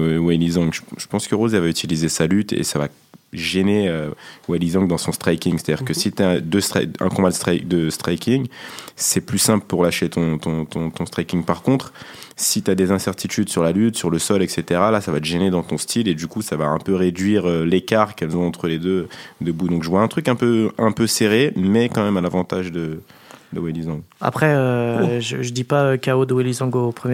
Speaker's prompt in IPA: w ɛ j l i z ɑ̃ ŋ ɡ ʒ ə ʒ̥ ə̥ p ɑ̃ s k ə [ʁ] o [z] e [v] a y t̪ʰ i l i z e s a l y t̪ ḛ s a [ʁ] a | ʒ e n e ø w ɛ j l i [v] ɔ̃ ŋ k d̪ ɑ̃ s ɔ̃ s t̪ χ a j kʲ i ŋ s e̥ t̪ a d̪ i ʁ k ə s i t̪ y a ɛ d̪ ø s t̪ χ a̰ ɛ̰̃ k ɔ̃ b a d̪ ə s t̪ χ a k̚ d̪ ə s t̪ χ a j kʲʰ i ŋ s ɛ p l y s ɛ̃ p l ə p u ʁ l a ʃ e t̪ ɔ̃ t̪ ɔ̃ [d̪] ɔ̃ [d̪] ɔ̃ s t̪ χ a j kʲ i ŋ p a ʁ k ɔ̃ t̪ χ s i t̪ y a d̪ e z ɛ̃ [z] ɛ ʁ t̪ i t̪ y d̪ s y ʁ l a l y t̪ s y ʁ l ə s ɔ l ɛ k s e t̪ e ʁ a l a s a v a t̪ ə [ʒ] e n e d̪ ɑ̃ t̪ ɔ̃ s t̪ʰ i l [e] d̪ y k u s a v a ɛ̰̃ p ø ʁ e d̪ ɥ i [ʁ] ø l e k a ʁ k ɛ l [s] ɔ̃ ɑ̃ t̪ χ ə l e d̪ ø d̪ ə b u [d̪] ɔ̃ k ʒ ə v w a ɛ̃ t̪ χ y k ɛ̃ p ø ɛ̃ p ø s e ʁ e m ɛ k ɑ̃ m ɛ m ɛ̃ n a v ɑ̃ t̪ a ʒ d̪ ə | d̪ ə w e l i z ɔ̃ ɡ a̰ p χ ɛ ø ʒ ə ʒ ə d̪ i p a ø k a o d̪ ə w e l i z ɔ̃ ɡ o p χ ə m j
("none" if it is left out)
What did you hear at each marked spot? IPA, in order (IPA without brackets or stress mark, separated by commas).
ʁ, z, v, v, z, t̪, t̪, s, ʒ, e, ʁ, z, d̪